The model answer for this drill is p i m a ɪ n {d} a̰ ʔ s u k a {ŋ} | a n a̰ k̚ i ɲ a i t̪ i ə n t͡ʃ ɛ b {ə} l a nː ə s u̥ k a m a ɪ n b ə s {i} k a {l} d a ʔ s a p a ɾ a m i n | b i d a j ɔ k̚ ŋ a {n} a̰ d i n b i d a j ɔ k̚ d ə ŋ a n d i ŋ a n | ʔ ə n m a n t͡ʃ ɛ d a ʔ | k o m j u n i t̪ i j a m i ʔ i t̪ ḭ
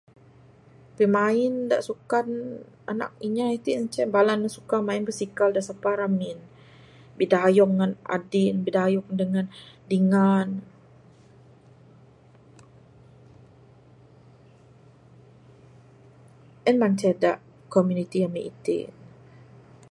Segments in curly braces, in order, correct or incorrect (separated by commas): correct, incorrect, incorrect, correct, correct, correct